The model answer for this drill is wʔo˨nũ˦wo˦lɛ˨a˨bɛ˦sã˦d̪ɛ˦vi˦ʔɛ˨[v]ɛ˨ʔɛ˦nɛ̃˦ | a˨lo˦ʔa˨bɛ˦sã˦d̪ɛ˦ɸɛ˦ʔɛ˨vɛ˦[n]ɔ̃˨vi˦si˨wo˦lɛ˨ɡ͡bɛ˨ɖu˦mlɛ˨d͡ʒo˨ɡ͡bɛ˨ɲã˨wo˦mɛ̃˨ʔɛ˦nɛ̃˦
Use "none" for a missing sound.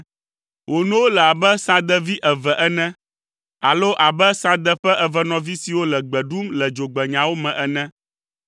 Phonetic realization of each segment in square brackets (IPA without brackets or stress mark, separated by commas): v, n